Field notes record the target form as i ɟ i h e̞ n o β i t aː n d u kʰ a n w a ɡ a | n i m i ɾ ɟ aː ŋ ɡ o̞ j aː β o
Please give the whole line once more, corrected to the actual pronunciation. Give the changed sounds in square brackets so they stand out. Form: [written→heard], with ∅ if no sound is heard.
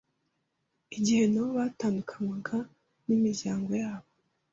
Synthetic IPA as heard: i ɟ i h e̞ n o β [i→a] t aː n d u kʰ a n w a ɡ a | n i m i ɾ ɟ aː ŋ ɡ o̞ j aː β o